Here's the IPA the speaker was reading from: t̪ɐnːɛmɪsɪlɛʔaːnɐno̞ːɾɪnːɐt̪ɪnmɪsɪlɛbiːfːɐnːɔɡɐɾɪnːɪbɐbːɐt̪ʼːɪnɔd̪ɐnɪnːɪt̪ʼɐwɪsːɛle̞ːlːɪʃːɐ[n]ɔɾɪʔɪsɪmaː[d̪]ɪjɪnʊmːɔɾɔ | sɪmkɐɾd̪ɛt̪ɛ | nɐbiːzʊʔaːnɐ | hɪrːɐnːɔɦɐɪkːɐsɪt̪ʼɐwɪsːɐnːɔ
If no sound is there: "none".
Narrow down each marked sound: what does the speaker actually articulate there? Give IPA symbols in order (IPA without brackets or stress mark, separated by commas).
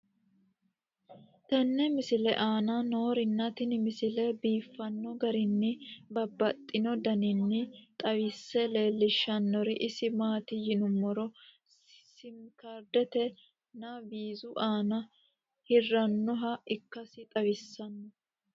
nː, t̪